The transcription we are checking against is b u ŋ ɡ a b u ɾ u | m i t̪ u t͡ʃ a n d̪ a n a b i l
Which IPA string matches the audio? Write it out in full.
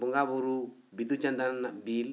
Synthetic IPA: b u ŋ ɡ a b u ɾ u | b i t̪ u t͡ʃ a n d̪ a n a b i l